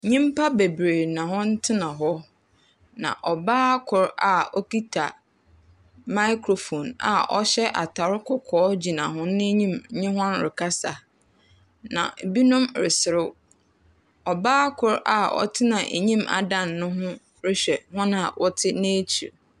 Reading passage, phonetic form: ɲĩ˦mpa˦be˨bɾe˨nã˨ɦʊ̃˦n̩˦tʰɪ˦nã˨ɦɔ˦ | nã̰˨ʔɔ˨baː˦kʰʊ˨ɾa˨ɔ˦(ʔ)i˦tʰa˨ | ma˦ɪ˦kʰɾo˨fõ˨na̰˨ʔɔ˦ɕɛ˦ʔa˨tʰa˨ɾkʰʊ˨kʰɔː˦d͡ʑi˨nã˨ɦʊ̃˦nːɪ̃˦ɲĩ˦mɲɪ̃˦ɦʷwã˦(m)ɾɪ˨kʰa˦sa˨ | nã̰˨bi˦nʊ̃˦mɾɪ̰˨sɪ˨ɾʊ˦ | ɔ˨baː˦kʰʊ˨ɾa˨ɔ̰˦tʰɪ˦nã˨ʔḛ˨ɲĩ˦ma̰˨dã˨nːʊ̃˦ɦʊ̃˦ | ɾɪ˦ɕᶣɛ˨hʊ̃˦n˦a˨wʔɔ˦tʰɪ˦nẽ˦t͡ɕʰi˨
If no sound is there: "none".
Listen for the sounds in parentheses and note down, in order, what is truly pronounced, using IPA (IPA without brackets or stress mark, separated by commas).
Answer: k, n